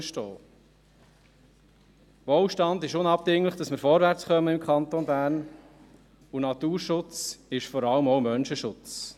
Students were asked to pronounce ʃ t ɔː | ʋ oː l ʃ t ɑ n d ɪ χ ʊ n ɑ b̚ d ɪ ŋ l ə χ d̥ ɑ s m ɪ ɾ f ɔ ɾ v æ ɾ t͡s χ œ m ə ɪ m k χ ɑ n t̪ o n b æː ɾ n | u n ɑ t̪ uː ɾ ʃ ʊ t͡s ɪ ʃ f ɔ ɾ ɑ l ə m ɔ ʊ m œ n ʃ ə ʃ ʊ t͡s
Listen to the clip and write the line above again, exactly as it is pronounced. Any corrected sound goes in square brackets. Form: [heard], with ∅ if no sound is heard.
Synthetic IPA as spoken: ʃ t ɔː | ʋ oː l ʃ t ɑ n d ɪ [ʃ] ʊ n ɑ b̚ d ɪ ŋ l ə χ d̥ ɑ s m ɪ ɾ f ɔ ɾ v æ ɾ t͡s χ œ m ə ɪ m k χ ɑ n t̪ o n b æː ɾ n | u n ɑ t̪ uː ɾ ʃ ʊ t͡s ɪ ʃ f ɔ ɾ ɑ l ə m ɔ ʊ m œ n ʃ ə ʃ ʊ t͡s